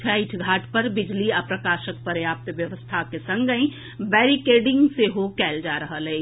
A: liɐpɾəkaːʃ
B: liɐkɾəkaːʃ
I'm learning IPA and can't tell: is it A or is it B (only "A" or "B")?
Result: A